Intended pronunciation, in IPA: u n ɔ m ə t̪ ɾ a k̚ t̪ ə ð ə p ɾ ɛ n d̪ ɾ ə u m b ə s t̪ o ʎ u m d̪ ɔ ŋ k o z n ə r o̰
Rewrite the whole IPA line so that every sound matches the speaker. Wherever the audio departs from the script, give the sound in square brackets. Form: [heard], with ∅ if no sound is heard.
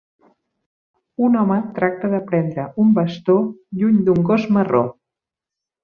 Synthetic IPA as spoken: u n ɔ m ə t̪ ɾ a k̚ t̪ ə ð ə p ɾ ɛ n d̪ ɾ ə u m b ə s t̪ o ʎ u [ɲ] d̪ [u] ŋ [ɡ] o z [m] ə r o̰